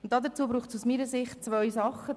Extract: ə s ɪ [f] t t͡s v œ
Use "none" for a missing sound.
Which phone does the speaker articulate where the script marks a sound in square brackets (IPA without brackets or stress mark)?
χ